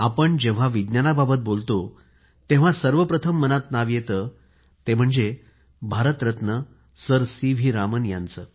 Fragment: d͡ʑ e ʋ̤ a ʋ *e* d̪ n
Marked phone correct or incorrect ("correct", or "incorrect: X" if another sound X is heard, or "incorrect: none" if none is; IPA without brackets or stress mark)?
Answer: incorrect: i